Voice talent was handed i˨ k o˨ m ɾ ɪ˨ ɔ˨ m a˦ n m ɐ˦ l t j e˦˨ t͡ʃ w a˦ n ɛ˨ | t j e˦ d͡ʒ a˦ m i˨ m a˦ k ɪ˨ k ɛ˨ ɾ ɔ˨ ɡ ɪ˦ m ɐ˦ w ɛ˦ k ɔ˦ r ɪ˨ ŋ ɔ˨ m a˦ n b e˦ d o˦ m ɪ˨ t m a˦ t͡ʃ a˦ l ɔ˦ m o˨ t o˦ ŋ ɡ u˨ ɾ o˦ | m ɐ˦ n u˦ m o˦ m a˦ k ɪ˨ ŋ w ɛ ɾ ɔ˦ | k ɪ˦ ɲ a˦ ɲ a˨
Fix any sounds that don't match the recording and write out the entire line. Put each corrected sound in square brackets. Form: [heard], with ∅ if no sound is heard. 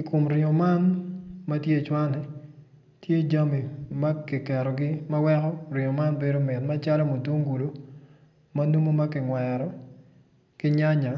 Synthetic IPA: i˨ k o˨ m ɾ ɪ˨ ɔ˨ m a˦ n m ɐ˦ [∅] t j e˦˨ t͡ʃ w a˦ n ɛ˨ | t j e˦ d͡ʒ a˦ m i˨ m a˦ k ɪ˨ k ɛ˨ ɾ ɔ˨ ɡ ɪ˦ m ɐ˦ w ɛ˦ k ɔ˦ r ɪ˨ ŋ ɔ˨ m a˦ n b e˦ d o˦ m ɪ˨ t m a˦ t͡ʃ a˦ l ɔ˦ m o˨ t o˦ ŋ ɡ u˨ [l] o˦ | m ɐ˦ n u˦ m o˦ m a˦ k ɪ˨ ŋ w ɛ ɾ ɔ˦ | k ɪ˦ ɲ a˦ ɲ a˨